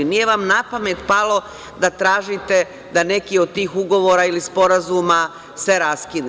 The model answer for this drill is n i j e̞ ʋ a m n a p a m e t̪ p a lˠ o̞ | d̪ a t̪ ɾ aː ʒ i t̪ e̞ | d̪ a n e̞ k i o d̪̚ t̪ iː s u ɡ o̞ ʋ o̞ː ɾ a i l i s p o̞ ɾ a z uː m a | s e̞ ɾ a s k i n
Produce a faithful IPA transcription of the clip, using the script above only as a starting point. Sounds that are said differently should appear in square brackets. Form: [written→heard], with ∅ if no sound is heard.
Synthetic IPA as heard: n i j e̞ ʋ a m n a p a m e t̪ p a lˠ o̞ | d̪ a t̪ ɾ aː ʒ i t̪ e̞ | d̪ a n e̞ k i o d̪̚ t̪ iː [s→x] u ɡ o̞ ʋ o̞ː ɾ a i l i s p o̞ ɾ a z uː m a | s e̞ ɾ a s k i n